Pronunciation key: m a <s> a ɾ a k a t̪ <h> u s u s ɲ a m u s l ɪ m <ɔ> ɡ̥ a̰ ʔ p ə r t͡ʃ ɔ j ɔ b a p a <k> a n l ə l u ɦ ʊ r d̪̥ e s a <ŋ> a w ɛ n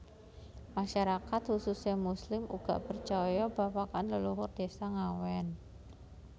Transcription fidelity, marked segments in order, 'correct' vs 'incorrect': incorrect, correct, incorrect, correct, correct

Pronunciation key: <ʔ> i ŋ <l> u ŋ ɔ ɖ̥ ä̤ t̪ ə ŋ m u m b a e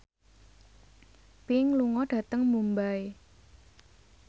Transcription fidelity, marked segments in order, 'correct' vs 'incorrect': incorrect, correct

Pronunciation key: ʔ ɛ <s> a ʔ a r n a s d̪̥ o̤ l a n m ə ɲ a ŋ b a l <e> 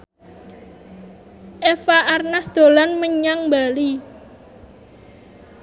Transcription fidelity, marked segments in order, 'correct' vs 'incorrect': incorrect, incorrect

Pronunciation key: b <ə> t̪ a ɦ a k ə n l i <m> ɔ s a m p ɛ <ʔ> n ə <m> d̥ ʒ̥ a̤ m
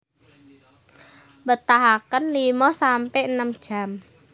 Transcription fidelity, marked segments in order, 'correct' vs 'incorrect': correct, correct, correct, correct

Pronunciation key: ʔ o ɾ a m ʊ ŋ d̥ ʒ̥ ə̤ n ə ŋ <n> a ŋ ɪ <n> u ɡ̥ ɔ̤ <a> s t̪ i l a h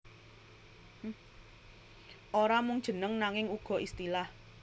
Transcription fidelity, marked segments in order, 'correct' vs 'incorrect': correct, incorrect, incorrect

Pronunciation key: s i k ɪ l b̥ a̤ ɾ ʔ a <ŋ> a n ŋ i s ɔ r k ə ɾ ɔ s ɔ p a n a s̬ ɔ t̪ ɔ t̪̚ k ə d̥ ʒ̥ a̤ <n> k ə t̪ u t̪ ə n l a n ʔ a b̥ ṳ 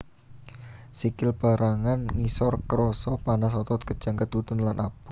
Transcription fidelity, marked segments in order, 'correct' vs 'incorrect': correct, incorrect

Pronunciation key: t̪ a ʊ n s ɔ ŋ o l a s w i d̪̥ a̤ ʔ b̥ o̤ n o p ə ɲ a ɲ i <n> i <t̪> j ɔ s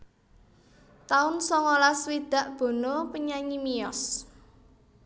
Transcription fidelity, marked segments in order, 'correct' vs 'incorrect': incorrect, incorrect

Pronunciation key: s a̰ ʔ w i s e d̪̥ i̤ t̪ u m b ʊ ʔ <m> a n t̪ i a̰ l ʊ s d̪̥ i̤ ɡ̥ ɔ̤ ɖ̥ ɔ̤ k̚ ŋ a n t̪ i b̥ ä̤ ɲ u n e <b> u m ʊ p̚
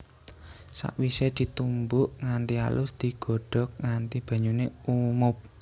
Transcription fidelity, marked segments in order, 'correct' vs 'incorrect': incorrect, incorrect

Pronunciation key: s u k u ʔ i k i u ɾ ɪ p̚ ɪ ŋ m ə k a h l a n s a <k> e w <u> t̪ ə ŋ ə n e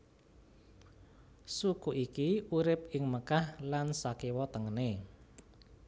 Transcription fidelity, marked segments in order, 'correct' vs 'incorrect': correct, incorrect

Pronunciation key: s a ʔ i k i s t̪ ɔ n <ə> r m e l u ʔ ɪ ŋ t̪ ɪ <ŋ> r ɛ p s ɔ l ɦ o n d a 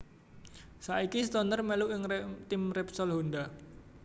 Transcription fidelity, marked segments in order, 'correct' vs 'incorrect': correct, incorrect

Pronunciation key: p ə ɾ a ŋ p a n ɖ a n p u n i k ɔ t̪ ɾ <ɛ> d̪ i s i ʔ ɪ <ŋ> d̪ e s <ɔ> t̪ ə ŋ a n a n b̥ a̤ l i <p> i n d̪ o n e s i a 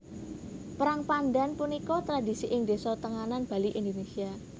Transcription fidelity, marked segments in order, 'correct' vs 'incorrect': incorrect, correct, correct, incorrect

